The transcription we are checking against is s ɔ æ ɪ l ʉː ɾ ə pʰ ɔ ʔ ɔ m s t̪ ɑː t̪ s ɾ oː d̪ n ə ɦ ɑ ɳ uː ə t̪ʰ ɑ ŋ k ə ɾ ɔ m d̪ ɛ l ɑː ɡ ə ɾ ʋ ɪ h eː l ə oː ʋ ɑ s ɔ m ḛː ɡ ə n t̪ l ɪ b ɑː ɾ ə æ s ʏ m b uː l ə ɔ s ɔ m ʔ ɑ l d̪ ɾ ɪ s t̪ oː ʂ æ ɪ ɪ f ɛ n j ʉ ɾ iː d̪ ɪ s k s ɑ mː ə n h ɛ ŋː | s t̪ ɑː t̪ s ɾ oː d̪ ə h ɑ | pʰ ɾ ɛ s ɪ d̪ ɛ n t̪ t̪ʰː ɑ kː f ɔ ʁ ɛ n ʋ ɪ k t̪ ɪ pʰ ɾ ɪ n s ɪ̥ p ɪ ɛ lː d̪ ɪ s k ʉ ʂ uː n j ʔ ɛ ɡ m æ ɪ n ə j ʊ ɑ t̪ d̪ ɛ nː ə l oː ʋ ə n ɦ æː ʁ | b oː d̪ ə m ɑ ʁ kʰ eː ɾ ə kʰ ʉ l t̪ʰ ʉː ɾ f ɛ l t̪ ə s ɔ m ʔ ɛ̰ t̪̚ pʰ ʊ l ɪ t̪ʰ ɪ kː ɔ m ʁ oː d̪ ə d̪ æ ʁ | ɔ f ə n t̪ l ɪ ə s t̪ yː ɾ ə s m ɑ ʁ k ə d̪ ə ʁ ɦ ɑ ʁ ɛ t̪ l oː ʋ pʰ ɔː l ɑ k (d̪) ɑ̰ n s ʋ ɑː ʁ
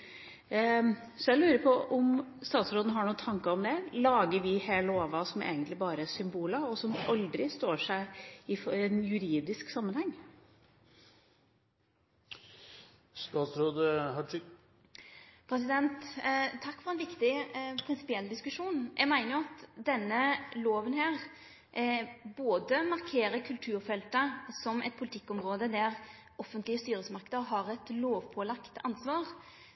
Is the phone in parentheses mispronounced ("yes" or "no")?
yes